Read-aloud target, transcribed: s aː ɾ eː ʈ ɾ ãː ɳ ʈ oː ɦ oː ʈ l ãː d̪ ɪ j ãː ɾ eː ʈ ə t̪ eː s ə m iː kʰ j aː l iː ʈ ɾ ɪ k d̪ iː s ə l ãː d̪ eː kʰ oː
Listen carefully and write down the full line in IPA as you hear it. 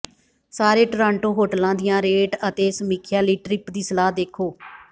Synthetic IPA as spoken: s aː ɾ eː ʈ ɾ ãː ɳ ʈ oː ɦ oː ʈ l ãː d̪ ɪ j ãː ɾ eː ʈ ə t̪ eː s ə m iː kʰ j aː l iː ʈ ɾ ɪ p d̪ iː s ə l aː d̪ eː kʰ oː